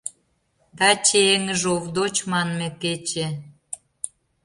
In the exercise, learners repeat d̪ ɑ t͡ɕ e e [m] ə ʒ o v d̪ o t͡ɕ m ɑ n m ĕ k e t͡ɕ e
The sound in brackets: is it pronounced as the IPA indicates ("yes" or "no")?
no